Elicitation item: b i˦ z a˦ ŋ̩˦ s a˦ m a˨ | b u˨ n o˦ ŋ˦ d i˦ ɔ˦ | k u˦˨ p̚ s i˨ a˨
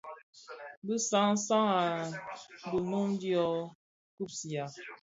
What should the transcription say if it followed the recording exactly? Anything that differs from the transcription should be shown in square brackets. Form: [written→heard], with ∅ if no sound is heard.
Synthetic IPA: b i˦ [z→s] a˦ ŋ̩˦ s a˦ [m→ŋ] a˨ | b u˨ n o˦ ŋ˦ d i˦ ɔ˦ | k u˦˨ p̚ s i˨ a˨